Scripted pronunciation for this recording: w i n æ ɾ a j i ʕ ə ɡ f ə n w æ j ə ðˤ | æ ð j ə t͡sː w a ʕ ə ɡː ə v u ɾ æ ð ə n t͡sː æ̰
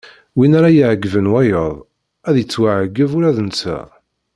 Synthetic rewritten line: w i n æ ɾ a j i ʕ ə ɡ v ə n w æ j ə ðˤ | æ ð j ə t͡sː w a ʕ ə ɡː ə v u ɾ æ ð ə n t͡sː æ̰